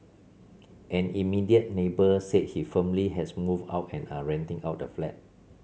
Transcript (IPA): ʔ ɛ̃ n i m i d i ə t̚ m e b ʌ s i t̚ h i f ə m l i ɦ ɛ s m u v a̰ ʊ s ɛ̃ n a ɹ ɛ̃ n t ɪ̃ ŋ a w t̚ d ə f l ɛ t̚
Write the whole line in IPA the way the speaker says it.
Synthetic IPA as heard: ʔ ɛ̃ n i m i d i ə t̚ n e b ə s e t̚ h i f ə m l i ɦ ɛ s m u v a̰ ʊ t ɛ̃ n a ɹ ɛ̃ n t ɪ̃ ŋ a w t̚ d ə f l ɛ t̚